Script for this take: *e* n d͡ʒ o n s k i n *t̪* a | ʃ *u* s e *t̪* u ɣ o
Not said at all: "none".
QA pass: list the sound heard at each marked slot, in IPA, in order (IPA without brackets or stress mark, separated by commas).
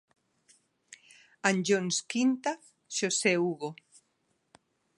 a, t̪, o, none